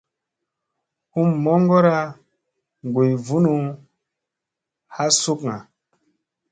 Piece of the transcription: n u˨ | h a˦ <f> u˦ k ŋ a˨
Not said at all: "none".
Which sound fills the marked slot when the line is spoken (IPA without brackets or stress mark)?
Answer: s